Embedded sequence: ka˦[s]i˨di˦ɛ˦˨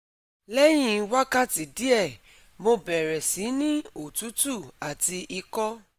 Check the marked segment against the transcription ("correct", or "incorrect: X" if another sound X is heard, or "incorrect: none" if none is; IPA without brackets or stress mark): incorrect: t